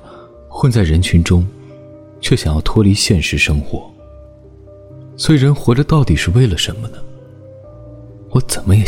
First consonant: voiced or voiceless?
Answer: voiceless